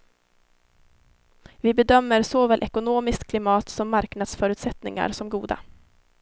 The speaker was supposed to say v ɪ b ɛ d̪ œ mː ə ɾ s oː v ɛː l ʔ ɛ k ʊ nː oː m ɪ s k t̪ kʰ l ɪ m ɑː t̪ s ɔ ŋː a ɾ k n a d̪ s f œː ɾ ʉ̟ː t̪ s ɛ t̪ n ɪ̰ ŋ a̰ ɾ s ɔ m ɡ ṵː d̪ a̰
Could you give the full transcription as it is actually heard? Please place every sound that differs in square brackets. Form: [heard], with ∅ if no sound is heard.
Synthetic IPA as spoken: v ɪ b ɛ d̪ œ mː ə ɾ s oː v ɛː l ʔ ɛ k ʊ [n] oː m ɪ s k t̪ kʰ l ɪ m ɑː t̪ s ɔ [mː] a ɾ k n a d̪ s f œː ɾ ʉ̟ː t̪ s ɛ t̪ n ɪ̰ ŋ a̰ ɾ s ɔ m ɡ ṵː d̪ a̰